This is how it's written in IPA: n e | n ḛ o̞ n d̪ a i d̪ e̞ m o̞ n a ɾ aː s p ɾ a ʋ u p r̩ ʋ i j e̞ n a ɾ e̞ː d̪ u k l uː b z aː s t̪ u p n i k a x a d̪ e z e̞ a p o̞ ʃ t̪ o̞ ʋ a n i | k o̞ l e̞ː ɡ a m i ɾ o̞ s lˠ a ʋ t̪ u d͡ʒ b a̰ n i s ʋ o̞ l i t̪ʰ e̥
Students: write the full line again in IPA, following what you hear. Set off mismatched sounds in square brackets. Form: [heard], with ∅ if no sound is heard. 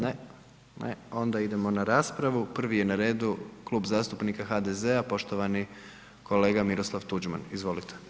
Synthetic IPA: n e | n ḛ o̞ n d̪ a i d̪ e̞ m o̞ n a ɾ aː s p ɾ a ʋ u p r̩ ʋ i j e̞ n a ɾ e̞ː d̪ u k l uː b z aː s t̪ u p n i k a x a d̪ e z e̞ a p o̞ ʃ t̪ o̞ ʋ a n i | k o̞ l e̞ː ɡ a m i ɾ o̞ s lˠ a ʋ t̪ u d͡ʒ [m] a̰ n i [z] ʋ o̞ l i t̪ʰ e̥